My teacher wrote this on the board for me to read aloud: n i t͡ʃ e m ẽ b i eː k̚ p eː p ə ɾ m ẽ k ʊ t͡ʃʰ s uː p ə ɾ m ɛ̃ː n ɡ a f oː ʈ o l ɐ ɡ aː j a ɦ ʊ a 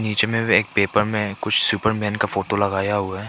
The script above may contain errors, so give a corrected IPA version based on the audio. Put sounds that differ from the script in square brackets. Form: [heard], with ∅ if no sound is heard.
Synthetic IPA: n [iː] t͡ʃ e m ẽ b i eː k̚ p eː p ə ɾ m ẽ k ʊ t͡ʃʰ s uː p ə ɾ m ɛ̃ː n [k] a f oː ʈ o l ɐ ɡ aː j a ɦ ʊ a